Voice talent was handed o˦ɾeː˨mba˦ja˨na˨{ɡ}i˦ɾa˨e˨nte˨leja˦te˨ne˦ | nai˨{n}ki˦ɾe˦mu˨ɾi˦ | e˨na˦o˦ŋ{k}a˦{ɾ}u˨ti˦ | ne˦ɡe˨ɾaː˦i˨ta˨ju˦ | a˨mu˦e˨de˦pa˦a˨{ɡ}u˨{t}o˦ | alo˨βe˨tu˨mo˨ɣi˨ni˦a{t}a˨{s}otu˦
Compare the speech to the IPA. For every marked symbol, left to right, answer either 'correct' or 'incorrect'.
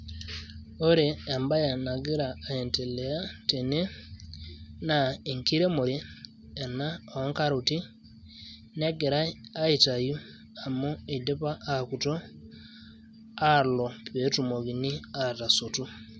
correct, incorrect, correct, correct, incorrect, correct, correct, correct

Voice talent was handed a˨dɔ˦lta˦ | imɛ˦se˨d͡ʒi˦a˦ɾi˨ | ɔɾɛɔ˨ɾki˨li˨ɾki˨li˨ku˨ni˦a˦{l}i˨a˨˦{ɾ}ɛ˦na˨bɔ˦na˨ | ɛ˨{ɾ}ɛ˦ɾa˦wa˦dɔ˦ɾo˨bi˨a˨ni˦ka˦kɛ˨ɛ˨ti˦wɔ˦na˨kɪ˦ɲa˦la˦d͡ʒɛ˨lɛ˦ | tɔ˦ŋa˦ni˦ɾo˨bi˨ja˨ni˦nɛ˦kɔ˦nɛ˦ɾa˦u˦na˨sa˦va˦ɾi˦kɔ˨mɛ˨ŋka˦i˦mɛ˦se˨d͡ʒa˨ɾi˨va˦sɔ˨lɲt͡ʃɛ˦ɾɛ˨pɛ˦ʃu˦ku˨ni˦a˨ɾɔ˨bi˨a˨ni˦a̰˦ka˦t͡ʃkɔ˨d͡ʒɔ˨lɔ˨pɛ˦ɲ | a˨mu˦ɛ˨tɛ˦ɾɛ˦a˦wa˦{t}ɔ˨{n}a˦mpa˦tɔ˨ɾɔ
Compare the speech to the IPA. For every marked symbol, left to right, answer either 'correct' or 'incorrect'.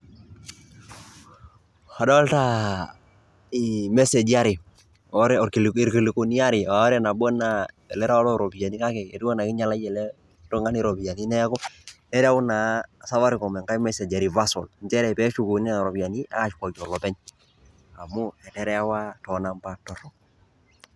incorrect, correct, incorrect, correct, correct

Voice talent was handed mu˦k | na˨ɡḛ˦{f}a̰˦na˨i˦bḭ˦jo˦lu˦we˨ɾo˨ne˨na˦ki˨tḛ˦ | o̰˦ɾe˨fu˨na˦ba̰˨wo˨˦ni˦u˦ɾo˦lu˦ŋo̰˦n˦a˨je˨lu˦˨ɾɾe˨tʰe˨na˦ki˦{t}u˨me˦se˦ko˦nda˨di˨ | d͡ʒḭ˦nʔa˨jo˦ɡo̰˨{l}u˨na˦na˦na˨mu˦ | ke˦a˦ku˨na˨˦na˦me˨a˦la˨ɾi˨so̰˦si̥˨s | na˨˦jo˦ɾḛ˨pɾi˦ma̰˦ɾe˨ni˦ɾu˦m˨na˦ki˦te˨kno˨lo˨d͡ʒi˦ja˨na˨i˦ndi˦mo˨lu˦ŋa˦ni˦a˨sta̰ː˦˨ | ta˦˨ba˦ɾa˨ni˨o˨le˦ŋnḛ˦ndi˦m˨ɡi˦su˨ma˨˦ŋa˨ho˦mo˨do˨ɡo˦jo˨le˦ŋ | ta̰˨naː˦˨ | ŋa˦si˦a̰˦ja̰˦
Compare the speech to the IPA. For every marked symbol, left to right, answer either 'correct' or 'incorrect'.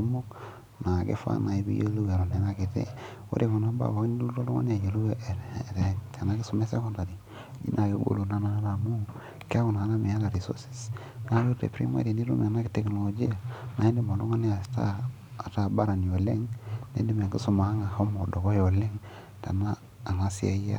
correct, incorrect, correct

